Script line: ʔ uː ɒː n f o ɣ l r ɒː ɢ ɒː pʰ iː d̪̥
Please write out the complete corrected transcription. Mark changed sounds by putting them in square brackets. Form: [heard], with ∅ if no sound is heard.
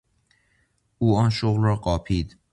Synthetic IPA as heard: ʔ uː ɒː n [ʃ] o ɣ l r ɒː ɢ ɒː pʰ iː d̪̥